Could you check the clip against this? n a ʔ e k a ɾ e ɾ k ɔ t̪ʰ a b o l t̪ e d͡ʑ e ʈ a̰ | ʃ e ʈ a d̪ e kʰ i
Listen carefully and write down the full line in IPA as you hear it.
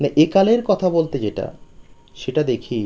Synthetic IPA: n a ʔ e k a l e ɾ k ɔ t̪ʰ a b o l t̪ e d͡ʑ e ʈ a̰ | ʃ e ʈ a d̪ e kʰ i